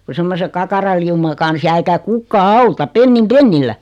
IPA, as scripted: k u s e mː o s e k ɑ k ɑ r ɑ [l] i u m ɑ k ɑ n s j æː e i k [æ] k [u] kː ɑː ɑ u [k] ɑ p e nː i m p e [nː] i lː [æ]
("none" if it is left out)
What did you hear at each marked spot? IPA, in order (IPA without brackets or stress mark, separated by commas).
l, æ, u, t, nː, æ